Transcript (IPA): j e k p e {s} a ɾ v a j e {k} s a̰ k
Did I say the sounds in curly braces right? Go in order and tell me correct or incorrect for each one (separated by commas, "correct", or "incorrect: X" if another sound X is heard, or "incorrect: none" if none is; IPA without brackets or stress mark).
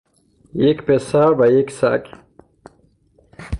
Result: correct, correct